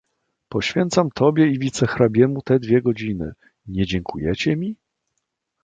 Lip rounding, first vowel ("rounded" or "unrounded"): rounded